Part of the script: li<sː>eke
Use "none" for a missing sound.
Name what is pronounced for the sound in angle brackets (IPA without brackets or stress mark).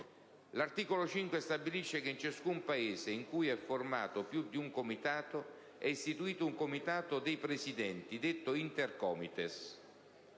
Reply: ʃː